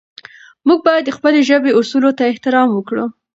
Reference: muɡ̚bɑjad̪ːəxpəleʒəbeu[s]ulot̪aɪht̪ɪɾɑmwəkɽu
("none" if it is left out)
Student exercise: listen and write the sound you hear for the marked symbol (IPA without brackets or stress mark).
s